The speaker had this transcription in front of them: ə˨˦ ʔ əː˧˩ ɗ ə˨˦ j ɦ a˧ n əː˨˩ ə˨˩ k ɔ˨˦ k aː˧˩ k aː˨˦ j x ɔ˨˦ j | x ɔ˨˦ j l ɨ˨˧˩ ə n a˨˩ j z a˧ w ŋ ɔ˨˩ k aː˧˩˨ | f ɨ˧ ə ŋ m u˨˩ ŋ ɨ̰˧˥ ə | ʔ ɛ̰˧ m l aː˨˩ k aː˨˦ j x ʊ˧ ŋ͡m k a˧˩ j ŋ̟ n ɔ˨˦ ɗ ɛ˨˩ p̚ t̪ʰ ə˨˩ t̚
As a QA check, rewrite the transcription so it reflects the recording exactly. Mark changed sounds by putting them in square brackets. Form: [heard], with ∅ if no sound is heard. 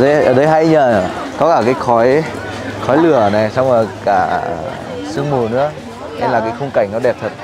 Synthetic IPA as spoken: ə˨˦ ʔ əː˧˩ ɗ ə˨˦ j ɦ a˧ [ɲ] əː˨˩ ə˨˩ k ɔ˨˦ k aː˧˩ k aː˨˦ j x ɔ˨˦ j | x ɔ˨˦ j l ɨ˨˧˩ ə n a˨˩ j [s] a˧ w [ŋ͡m] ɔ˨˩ k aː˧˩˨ | [s] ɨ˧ ə ŋ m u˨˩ [n] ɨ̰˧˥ ə | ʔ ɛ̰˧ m l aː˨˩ k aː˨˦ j x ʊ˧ ŋ͡m k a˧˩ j ŋ̟ n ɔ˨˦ ɗ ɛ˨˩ p̚ t̪ʰ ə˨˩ t̚

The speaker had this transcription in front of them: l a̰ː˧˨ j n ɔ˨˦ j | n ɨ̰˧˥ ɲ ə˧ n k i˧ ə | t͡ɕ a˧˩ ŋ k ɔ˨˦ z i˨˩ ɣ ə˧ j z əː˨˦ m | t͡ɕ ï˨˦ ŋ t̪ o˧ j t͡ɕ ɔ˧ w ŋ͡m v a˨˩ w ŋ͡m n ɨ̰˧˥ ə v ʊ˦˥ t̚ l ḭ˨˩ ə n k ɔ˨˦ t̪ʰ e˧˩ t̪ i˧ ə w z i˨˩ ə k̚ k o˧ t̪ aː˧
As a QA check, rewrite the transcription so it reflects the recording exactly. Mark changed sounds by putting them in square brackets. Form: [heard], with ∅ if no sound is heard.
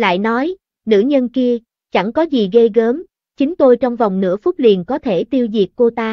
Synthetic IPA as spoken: l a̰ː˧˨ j n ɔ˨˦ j | n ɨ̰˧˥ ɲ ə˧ n k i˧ ə | t͡ɕ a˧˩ ŋ k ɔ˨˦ z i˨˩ ɣ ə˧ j [ɣ] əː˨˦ m | t͡ɕ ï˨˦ ŋ t̪ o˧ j t͡ɕ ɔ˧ w ŋ͡m v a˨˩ w ŋ͡m n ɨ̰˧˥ ə [f] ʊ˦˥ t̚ l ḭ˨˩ ə n k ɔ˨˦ t̪ʰ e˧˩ t̪ i˧ ə w z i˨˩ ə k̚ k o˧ t̪ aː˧

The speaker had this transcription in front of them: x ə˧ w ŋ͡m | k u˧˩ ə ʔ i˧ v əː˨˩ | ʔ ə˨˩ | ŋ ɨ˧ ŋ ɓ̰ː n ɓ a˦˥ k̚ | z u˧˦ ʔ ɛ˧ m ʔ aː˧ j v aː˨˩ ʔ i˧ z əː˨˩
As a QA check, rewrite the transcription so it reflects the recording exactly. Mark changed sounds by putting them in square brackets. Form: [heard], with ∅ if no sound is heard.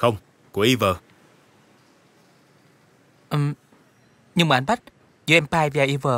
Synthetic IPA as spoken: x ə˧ w ŋ͡m | k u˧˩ ə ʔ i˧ v əː˨˩ | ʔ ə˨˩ | [ɲ] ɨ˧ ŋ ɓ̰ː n ɓ a˦˥ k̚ | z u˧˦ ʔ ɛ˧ m [p] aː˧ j v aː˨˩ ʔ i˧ [v] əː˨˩

